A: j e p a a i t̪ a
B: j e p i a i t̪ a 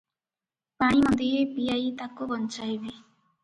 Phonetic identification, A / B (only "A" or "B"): B